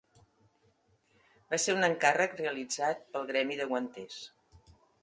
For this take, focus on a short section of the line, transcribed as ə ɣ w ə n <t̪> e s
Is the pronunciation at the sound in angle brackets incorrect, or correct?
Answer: correct